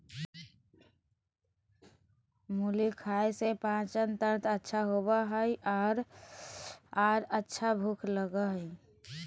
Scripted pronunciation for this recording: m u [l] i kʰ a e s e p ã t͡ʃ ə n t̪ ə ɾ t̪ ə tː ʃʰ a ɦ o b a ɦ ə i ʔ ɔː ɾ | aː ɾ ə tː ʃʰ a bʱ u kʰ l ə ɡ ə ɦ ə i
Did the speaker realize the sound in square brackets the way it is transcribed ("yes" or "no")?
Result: yes